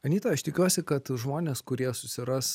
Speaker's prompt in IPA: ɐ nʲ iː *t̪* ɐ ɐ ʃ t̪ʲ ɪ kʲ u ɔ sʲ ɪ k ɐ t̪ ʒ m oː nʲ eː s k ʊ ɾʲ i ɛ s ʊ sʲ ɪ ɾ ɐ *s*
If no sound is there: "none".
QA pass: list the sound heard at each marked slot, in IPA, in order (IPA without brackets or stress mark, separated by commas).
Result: t̪, s